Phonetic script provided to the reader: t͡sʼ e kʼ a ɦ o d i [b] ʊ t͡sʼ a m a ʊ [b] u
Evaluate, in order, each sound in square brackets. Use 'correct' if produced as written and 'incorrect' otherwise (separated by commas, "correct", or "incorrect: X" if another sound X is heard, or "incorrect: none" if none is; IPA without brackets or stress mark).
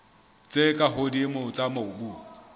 incorrect: m, correct